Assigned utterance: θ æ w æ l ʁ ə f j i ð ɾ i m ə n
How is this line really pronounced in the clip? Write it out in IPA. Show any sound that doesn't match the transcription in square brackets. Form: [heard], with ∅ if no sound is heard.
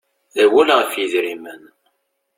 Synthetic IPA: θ æ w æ l ʁ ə f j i ð ɾ i m ə n